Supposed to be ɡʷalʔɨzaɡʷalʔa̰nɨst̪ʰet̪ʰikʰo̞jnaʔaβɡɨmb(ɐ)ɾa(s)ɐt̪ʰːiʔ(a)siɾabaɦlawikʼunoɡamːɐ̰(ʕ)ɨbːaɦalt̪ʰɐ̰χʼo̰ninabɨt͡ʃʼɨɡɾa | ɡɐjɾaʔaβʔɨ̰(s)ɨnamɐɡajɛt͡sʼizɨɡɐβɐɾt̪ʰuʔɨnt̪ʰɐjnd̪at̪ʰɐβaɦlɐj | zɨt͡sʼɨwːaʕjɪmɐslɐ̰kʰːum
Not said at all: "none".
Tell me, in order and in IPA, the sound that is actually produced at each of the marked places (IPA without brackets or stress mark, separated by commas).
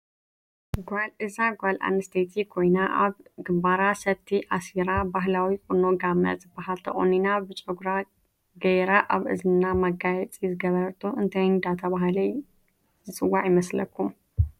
a, s, a, z, z